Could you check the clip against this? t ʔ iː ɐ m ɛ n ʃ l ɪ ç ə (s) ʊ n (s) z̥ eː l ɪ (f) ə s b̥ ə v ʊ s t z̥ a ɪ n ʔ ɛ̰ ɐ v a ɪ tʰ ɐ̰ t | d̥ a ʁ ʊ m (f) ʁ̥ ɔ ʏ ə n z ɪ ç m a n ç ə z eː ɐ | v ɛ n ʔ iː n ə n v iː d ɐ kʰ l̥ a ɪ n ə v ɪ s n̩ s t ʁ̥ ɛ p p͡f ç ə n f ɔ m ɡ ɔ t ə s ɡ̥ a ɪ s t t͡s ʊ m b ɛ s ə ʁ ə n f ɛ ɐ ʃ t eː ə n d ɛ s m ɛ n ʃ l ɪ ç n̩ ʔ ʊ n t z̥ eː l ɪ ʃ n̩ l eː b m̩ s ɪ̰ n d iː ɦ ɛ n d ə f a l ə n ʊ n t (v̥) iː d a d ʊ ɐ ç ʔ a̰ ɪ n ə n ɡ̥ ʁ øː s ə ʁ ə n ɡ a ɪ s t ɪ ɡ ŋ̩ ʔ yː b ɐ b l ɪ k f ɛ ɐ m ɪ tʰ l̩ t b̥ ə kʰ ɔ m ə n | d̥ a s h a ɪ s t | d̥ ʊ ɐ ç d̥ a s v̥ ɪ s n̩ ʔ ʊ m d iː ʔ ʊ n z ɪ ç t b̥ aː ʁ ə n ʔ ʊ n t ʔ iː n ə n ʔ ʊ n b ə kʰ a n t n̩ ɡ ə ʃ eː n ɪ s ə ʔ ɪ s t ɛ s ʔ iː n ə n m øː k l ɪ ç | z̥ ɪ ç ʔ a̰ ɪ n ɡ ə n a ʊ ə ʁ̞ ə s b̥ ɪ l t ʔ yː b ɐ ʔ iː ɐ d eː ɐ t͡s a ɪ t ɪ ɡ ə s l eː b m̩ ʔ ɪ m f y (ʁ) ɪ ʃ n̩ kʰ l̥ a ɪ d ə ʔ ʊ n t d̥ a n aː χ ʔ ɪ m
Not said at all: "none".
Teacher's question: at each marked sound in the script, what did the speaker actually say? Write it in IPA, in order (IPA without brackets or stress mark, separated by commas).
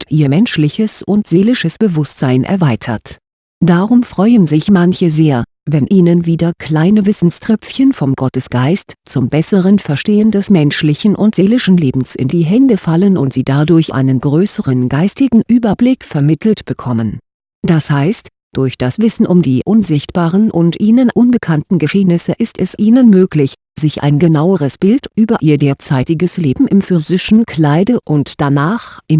s, t, ʃ, f, z̥, z